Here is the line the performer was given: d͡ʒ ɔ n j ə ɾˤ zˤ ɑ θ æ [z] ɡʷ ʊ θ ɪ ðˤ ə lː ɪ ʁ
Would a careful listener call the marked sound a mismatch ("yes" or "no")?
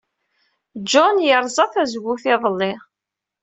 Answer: no